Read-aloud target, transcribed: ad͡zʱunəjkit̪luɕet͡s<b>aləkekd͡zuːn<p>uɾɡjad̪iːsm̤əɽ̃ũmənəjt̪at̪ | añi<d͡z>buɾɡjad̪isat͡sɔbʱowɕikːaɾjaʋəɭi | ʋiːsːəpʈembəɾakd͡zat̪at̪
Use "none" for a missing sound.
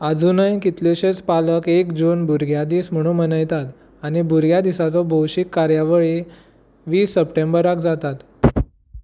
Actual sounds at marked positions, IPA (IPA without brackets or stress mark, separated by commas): p, b, none